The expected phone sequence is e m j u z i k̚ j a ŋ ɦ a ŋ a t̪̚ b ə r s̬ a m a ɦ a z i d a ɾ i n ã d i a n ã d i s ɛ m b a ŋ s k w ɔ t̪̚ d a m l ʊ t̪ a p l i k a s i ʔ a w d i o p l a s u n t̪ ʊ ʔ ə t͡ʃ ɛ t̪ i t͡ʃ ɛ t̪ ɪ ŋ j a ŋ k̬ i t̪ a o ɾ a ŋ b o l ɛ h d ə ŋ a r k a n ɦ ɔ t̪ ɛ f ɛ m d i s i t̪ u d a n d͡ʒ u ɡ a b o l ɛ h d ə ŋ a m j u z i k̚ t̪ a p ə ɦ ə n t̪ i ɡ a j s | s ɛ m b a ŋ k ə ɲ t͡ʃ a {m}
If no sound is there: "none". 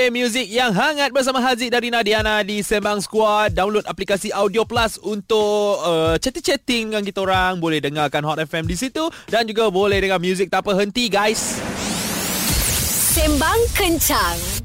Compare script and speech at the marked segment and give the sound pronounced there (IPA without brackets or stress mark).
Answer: ŋ